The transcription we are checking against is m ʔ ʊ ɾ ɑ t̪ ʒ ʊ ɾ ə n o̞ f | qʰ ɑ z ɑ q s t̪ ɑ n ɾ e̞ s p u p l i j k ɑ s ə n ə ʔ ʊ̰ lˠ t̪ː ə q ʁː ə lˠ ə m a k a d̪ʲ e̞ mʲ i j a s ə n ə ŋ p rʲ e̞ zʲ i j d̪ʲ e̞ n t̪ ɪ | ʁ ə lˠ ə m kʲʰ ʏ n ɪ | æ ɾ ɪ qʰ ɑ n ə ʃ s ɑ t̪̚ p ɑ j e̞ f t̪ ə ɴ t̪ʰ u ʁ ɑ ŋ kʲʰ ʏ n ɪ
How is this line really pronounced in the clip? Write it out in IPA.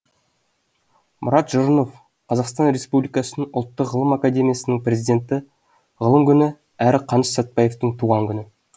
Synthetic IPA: m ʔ ʊ ɾ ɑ t̪ ʒ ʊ ɾ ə n o̞ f | qʰ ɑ z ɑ q s t̪ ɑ n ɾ e̞ s p u b l i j k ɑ s ə n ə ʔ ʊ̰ lˠ t̪ː ə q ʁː ə lˠ ə m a k a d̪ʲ e̞ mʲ i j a s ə n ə ŋ p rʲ e̞ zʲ i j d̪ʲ e̞ n t̪ ɪ | ʁ ə lˠ ə m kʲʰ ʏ n ɪ | æ ɾ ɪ qʰ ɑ n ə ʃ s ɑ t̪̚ p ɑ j e̞ f t̪ ə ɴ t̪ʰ u ʁ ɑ ŋ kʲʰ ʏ n ɪ